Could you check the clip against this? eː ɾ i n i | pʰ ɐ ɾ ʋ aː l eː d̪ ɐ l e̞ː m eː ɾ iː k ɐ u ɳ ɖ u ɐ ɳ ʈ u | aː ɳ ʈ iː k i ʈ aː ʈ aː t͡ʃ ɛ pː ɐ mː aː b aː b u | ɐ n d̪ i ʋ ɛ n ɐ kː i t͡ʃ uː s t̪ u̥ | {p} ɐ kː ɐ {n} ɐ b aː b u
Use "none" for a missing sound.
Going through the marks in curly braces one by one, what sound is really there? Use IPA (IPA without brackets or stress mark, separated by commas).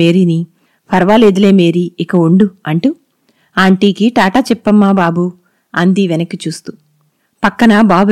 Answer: p, n